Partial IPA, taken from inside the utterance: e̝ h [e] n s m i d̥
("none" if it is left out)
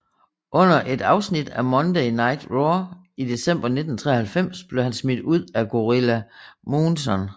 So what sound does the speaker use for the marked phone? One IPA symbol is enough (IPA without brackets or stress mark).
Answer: æ